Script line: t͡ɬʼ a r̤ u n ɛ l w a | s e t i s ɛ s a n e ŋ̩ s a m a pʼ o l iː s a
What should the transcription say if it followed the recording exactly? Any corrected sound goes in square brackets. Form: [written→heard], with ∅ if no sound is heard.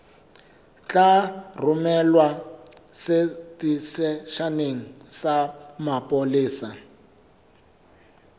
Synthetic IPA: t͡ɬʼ a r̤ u [n→m] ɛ l w a | s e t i s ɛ [s→ʃ] a n e ŋ̩ s a m a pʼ o l iː s a